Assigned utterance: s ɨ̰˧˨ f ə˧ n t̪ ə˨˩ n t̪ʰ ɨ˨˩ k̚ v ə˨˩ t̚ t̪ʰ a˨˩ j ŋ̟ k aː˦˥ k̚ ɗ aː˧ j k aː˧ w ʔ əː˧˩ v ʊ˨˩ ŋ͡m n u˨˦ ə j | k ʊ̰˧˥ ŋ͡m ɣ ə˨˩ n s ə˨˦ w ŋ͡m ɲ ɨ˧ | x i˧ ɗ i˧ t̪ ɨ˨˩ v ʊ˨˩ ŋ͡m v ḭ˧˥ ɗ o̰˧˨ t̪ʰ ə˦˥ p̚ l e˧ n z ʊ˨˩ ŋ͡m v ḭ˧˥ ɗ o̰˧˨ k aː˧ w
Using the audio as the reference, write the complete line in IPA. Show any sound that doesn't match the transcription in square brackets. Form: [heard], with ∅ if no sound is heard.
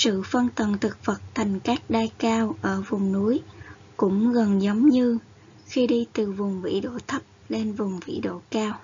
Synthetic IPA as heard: s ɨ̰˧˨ f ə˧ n t̪ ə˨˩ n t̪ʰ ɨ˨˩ k̚ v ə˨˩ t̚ t̪ʰ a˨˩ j ŋ̟ k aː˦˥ k̚ ɗ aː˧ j k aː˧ w ʔ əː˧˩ v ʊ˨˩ ŋ͡m n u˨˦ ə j | k ʊ̰˧˥ ŋ͡m ɣ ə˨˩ n [z] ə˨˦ w ŋ͡m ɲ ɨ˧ | x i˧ ɗ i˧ t̪ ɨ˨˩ v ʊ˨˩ ŋ͡m v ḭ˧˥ ɗ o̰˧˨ t̪ʰ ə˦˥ p̚ l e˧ n [v] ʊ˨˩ ŋ͡m v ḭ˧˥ ɗ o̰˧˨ k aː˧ w